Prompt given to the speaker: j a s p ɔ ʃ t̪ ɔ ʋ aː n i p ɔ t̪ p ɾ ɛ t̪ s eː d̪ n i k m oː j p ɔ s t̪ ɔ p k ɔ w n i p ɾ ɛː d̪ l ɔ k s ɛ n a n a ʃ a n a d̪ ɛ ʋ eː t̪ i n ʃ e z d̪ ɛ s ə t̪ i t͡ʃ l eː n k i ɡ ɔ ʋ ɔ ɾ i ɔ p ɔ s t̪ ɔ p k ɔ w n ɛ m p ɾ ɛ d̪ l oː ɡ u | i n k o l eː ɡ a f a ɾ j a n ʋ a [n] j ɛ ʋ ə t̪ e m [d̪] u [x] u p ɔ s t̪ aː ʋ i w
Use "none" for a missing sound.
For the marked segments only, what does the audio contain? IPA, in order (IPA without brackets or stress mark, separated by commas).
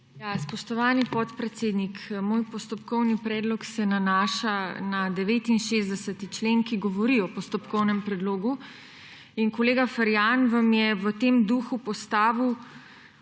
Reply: m, d̪, x